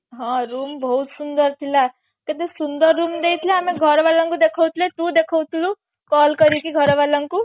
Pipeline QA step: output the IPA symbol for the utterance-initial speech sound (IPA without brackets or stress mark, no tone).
ɦ